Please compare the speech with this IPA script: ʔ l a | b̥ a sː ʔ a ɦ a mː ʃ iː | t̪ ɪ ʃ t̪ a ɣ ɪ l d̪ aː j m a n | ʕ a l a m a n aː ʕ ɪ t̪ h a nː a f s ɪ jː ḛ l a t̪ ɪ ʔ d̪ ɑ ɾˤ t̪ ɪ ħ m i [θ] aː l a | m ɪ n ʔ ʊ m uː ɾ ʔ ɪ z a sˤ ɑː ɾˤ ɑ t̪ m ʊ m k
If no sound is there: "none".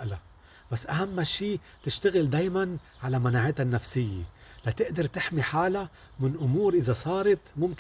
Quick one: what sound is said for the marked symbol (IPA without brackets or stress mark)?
ħ